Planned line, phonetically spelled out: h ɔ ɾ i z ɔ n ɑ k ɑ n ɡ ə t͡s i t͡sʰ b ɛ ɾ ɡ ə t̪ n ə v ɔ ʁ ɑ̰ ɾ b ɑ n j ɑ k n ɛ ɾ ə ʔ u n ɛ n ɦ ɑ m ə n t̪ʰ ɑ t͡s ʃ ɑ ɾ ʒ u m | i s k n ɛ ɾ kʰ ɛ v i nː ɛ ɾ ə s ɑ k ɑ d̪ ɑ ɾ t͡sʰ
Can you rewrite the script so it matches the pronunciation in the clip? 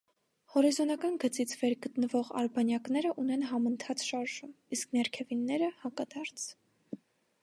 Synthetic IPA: h ɔ ɾ i z ɔ n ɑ k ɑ n ɡ ə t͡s i t͡sʰ v ɛ ɾ ɡ ə t̪ n ə v ɔ ʁ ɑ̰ ɾ b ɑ n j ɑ k n ɛ ɾ ə ʔ u n ɛ n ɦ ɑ m ə n t̪ʰ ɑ t͡s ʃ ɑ ɾ ʒ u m | i s k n ɛ ɾ kʰ ɛ v i nː ɛ ɾ ə h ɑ k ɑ d̪ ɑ ɾ t͡sʰ